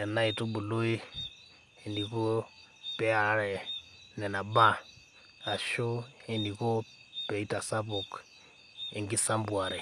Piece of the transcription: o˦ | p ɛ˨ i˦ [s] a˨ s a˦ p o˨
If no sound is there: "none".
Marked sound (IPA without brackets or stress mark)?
t